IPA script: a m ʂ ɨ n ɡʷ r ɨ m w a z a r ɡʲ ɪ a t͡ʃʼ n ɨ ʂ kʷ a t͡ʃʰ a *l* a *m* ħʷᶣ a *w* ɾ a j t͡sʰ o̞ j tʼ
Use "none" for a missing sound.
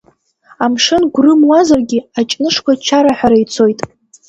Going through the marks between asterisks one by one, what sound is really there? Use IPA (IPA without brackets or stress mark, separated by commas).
ɾ, none, none